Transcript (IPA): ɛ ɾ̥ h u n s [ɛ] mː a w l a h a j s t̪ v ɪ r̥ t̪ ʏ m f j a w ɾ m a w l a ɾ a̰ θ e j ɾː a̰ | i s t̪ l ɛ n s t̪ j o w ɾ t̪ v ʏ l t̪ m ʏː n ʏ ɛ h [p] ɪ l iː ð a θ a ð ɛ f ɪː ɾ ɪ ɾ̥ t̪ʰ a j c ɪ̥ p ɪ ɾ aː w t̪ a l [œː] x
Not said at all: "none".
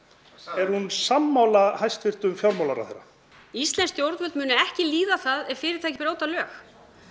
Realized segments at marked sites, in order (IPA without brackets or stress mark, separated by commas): a, c, œː